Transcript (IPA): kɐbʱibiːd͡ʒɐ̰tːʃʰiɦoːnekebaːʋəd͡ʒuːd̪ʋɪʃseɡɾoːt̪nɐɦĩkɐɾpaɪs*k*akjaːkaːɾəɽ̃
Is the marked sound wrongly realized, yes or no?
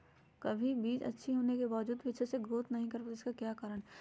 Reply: no